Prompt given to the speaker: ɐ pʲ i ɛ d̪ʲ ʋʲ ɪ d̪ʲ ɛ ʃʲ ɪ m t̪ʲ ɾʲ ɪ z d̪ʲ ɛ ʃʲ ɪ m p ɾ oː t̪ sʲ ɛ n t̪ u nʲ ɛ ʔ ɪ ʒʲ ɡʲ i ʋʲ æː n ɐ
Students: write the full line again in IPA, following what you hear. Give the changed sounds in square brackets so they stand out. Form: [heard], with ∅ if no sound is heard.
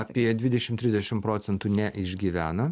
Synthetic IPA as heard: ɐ pʲ i ɛ d̪ʲ ʋʲ ɪ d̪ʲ ɛ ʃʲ ɪ m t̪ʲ ɾʲ ɪ z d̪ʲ ɛ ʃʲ ɪ m p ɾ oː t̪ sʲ ɛ n t̪ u nʲ ɛ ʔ ɪ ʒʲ ɡʲ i ʋʲ æː n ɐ